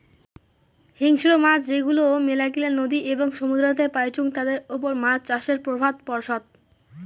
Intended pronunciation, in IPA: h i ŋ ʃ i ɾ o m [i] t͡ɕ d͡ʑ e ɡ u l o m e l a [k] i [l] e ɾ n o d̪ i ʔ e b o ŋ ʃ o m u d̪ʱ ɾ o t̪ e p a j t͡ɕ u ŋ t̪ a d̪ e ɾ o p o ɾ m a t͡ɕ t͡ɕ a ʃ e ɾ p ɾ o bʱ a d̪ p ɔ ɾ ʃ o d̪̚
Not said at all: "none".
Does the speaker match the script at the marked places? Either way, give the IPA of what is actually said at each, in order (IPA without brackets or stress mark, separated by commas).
a, k, l